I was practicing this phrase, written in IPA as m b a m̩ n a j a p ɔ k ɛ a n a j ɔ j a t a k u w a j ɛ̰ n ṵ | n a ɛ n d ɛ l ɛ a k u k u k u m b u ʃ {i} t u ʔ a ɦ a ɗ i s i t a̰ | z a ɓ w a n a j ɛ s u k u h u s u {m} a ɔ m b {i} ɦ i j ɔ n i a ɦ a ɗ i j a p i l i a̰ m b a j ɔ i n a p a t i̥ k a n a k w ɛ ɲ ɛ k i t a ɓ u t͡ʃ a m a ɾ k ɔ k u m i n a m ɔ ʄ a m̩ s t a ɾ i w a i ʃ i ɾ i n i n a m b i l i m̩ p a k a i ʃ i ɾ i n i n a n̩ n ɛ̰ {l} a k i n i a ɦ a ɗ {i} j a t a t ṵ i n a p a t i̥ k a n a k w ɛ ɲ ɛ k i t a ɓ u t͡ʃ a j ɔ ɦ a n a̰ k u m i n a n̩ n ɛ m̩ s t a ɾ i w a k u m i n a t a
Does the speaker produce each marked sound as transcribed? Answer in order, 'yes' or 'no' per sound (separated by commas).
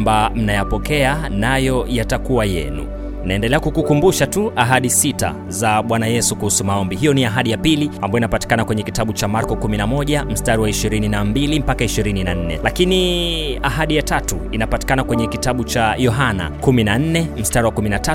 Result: no, yes, yes, yes, yes